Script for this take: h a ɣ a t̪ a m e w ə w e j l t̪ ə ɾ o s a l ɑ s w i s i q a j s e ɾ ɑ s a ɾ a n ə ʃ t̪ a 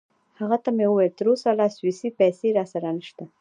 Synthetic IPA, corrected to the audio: h a ɣ a t̪ a m e w ə w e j l t̪ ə ɾ o s a l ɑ s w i s i p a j s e ɾ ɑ s a ɾ a n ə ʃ t̪ a